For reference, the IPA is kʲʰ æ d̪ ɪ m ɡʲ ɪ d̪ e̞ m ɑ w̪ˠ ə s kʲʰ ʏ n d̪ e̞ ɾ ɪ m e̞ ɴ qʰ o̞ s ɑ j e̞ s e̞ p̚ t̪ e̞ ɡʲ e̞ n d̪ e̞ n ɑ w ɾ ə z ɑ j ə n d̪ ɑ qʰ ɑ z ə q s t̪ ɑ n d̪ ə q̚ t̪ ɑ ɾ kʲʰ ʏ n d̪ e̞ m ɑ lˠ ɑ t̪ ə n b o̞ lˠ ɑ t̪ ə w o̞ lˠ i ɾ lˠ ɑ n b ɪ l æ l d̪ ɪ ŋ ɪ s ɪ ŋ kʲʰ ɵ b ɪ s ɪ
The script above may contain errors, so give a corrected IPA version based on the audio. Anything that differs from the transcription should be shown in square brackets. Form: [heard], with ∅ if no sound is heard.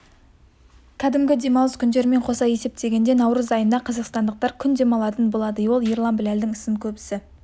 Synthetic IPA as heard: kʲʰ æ d̪ ɪ m ɡʲ ɪ d̪ e̞ m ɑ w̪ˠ ə s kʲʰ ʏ n d̪ e̞ ɾ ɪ m e̞ ɴ qʰ o̞ s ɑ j e̞ s e̞ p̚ t̪ e̞ ɡʲ e̞ n d̪ e̞ n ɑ w ɾ ə z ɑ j ə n d̪ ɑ qʰ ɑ z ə q s t̪ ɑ n d̪ ə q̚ t̪ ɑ ɾ kʲʰ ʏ n d̪ e̞ m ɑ lˠ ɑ t̪ ə n b o̞ lˠ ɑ [d̪] ə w o̞ lˠ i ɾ lˠ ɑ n b ɪ l æ l d̪ ɪ ŋ ɪ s ɪ ŋ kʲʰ ɵ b ɪ s ɪ

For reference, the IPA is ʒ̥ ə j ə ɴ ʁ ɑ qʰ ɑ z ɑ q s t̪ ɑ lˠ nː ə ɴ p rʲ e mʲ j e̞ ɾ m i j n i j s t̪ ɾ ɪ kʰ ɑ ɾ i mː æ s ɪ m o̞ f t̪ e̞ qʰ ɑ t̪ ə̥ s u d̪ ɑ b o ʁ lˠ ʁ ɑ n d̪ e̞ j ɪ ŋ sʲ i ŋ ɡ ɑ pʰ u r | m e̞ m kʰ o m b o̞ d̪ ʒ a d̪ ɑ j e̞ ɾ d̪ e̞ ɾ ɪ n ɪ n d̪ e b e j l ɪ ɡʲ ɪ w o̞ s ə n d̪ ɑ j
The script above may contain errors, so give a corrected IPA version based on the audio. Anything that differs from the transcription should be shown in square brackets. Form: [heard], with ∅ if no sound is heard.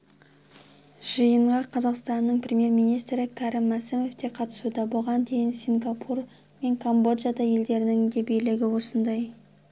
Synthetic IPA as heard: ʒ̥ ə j ə ɴ ʁ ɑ qʰ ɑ z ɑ q s t̪ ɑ [∅] nː ə ɴ p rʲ e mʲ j e̞ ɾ m i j n i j s t̪ ɾ ɪ kʰ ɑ ɾ [ɪ] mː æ s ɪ m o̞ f t̪ e̞ qʰ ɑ t̪ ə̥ s u d̪ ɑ b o [∅] lˠ ʁ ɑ n d̪ e̞ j ɪ [n] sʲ i ŋ ɡ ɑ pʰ u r | m e̞ [ŋ] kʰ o m b o̞ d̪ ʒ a d̪ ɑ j e̞ [l] d̪ e̞ ɾ ɪ n ɪ [ŋ] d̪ e b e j l ɪ ɡʲ ɪ w o̞ s ə n d̪ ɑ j

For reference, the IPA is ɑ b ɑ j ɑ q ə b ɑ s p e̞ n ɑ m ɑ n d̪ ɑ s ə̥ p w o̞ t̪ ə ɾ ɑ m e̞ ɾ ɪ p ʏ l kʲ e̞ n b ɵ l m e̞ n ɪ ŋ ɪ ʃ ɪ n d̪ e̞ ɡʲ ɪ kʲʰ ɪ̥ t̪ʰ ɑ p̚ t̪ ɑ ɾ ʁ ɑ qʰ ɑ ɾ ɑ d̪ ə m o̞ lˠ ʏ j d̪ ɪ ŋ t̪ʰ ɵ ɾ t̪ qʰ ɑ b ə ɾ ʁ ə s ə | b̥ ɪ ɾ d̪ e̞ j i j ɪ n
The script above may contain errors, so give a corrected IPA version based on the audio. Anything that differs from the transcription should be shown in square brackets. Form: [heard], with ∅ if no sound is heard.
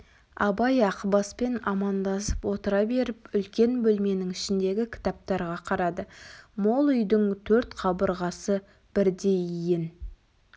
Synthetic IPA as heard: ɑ b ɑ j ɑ q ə b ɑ s p e̞ n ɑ m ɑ n d̪ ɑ s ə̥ p w o̞ t̪ ə ɾ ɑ [b] e̞ ɾ ɪ p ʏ l kʲ e̞ n b ɵ l m e̞ n ɪ ŋ ɪ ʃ ɪ n d̪ e̞ ɡʲ ɪ kʲʰ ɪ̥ [t̪] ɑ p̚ t̪ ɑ ɾ ʁ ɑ qʰ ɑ ɾ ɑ d̪ ə m o̞ lˠ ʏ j d̪ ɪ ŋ t̪ʰ ɵ ɾ t̪ qʰ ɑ b ə ɾ ʁ [ɑ] s ə | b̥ ɪ ɾ d̪ e̞ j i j ɪ n

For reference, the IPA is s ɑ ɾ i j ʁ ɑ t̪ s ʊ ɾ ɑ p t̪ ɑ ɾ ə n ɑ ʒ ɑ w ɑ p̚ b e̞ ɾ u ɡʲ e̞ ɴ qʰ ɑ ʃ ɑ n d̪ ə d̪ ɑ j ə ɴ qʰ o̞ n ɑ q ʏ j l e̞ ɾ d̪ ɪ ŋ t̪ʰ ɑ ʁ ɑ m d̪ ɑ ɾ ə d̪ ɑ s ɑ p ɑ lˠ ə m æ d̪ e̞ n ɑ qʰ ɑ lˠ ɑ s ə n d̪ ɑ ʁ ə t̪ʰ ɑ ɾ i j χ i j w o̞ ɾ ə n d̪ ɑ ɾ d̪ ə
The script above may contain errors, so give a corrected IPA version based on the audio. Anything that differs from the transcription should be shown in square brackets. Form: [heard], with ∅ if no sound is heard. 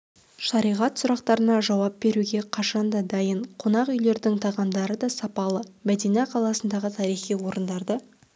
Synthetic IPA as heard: [ʃ] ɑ ɾ i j ʁ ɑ t̪ s ʊ ɾ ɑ [q] t̪ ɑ ɾ ə n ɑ ʒ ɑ w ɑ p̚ b e̞ ɾ u ɡʲ e̞ [∅] qʰ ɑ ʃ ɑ n d̪ [ɑ] d̪ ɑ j ə ɴ qʰ o̞ n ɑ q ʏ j l e̞ ɾ d̪ ɪ ŋ t̪ʰ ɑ ʁ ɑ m d̪ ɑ ɾ ə d̪ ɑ s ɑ p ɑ lˠ ə m æ d̪ e̞ n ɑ qʰ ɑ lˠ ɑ s ə n d̪ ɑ ʁ ə t̪ʰ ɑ ɾ i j χ i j w o̞ ɾ ə n d̪ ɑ ɾ d̪ ə

